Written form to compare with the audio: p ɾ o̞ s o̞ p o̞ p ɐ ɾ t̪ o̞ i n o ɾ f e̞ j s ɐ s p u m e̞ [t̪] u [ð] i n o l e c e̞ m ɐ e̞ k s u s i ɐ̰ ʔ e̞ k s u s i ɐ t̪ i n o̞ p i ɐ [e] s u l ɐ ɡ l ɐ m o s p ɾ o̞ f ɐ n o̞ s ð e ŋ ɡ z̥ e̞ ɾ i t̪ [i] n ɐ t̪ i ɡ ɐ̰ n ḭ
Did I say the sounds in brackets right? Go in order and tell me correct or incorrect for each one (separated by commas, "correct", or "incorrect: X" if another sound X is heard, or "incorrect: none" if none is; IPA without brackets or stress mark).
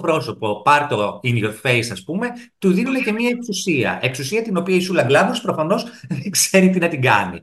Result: correct, correct, incorrect: i, correct